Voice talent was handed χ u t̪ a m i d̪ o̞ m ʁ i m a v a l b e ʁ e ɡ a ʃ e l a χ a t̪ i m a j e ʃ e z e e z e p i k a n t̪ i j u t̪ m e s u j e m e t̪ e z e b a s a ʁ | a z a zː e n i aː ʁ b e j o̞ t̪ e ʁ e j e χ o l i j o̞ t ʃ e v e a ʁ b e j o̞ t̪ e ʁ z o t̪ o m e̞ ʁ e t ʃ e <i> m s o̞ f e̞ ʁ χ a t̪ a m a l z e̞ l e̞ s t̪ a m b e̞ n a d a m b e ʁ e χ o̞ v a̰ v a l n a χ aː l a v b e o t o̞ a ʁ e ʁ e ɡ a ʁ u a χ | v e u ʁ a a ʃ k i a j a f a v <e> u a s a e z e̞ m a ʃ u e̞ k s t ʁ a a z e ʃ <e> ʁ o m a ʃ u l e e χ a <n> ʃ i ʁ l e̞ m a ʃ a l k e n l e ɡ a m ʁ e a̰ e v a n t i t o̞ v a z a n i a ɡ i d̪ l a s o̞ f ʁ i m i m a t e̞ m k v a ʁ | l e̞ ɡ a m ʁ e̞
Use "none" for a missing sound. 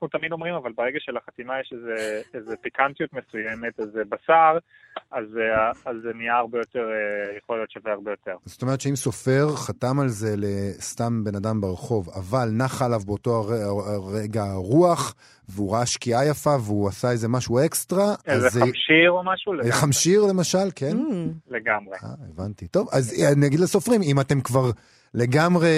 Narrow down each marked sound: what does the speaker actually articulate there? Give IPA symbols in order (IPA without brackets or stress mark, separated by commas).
i, e, i, m